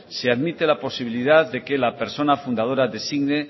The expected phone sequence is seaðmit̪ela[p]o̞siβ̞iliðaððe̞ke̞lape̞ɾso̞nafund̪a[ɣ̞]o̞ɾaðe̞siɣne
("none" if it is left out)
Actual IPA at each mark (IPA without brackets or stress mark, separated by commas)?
p, ð̞